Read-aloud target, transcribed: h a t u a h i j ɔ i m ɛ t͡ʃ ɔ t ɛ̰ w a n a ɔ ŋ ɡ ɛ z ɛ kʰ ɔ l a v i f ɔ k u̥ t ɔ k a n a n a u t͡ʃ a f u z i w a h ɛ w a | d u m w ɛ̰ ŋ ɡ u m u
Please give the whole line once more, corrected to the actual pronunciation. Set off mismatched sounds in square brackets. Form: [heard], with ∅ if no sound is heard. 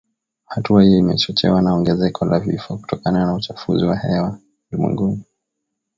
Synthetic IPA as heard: h a t u a h i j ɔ i m ɛ t͡ʃ ɔ [t͡ʃ] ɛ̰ w a n a ɔ ŋ ɡ ɛ z ɛ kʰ ɔ l a v i f ɔ k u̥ t ɔ k a n a n a u t͡ʃ a f u z i w a h ɛ w a | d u m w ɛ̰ ŋ ɡ u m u